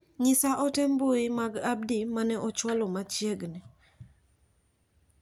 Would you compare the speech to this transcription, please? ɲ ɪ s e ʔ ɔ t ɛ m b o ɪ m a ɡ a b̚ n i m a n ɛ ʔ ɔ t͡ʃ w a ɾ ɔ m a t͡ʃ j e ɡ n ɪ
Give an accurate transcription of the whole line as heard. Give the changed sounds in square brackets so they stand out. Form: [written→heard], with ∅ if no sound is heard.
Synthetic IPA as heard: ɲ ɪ s [e→a] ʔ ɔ t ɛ m b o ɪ m a ɡ a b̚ [n→d] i m a n ɛ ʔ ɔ t͡ʃ w a [ɾ→l] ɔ m a t͡ʃ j e ɡ n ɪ